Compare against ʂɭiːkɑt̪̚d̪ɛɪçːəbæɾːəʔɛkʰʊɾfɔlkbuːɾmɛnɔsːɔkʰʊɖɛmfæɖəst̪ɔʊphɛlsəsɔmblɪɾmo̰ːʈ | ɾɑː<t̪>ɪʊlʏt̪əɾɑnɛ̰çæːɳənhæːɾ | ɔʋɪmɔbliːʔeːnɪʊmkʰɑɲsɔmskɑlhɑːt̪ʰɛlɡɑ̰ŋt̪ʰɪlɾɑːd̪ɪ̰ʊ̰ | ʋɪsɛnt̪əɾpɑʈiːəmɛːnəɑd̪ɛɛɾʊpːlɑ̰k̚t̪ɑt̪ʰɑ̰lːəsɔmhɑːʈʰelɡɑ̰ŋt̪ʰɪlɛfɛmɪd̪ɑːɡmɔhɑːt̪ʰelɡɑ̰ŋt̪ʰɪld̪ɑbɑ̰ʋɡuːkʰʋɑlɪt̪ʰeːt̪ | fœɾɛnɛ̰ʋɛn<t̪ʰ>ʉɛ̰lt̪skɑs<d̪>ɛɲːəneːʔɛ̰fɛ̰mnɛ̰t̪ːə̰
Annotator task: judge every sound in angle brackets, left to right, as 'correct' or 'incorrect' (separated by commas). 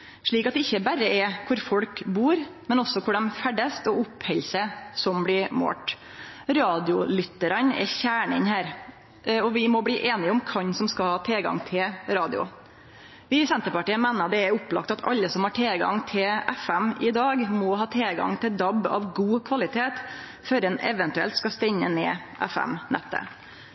incorrect, incorrect, incorrect